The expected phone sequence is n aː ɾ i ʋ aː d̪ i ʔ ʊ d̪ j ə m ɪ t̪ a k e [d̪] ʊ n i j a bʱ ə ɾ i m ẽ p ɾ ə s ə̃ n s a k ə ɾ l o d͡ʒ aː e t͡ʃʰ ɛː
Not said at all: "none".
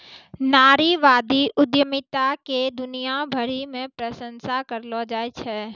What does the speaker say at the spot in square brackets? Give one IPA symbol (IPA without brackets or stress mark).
d̪